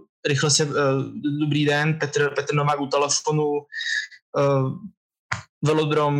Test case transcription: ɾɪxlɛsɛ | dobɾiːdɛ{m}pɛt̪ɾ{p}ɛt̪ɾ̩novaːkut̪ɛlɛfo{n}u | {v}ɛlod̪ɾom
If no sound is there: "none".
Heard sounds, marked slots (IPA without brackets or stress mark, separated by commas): n, p, n, v